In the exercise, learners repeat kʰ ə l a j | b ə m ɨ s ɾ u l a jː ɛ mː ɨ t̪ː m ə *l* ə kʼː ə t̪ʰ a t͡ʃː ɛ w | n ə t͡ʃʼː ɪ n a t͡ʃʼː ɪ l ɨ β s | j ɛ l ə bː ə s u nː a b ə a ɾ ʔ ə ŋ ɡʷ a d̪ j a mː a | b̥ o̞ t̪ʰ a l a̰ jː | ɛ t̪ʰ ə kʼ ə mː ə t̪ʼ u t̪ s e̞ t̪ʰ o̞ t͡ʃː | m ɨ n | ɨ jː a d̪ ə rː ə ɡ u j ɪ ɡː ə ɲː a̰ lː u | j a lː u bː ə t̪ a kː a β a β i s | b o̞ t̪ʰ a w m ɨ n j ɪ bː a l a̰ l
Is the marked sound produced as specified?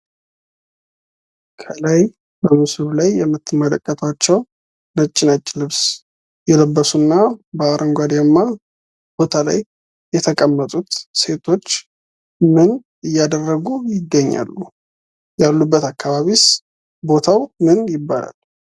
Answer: yes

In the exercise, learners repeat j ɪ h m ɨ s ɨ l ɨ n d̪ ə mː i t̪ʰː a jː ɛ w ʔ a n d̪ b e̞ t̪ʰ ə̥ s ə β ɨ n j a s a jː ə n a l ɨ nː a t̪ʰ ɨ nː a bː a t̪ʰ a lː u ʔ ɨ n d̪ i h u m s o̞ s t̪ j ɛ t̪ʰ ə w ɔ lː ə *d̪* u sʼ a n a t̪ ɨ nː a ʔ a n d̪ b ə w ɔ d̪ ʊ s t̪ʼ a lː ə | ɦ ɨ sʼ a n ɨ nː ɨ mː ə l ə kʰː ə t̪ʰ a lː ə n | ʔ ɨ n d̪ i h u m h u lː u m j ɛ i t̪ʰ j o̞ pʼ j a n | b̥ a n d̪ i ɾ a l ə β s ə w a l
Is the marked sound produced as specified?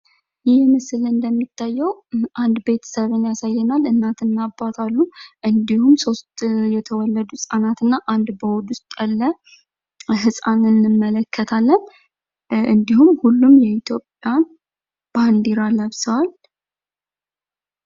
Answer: yes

